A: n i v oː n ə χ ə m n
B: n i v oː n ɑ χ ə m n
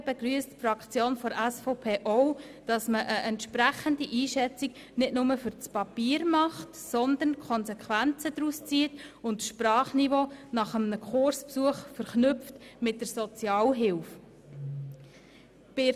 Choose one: B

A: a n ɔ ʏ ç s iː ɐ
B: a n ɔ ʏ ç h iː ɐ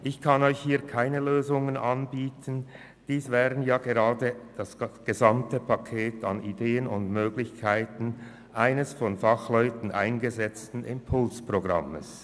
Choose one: B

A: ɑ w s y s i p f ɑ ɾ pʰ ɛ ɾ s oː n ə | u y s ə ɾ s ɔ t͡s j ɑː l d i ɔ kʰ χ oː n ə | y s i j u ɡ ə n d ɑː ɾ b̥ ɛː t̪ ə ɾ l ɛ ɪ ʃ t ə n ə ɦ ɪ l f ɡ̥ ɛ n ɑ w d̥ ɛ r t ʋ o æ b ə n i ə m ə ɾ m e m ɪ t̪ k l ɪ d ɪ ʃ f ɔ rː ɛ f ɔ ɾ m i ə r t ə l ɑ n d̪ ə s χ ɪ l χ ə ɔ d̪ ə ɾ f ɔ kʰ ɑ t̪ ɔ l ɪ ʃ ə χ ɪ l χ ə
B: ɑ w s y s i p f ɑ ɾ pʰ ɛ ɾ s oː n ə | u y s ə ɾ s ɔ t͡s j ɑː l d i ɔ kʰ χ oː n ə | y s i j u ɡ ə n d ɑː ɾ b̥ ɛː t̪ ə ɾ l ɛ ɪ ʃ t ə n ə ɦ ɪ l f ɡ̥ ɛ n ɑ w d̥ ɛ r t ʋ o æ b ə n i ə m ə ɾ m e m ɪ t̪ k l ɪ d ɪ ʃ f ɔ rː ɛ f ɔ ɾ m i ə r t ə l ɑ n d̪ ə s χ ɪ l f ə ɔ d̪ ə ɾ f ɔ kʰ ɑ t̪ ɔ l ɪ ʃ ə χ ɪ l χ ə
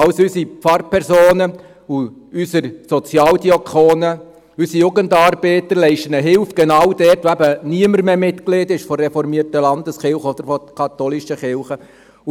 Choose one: A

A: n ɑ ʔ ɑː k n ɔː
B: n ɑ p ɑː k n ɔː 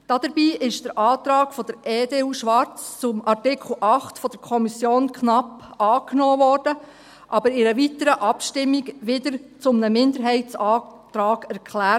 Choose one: B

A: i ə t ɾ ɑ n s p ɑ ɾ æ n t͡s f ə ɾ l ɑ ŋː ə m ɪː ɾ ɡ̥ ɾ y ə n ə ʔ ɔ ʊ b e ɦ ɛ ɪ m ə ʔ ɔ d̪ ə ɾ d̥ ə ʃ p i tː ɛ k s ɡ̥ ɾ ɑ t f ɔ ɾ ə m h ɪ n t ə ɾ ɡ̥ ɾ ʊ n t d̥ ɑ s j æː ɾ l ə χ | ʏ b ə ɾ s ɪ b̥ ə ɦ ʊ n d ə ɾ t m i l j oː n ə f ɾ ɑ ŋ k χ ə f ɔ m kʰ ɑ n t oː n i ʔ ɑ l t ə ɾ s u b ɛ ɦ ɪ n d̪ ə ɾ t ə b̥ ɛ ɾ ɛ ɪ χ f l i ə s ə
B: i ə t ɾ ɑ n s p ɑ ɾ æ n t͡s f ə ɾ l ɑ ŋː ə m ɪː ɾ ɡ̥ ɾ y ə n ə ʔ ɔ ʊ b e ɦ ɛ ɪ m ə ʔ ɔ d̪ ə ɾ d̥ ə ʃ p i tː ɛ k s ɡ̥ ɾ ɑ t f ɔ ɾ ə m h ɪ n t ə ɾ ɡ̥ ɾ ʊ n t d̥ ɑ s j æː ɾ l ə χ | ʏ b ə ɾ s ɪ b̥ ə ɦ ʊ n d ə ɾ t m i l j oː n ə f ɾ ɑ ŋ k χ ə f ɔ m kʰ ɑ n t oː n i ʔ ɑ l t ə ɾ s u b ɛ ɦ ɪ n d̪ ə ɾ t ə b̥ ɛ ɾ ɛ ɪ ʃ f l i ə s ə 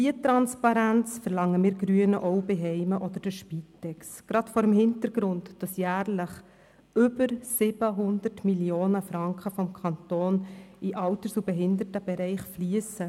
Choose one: A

